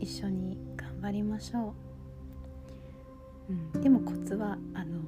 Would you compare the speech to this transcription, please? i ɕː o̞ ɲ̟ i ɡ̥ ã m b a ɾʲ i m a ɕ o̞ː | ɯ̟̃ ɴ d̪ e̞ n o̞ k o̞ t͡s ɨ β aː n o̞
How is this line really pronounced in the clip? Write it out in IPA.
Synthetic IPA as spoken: i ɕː o̞ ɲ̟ i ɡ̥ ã m b a ɾʲ i m a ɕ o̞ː | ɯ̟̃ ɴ d̪ e̞ m o̞ k o̞ t͡s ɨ β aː n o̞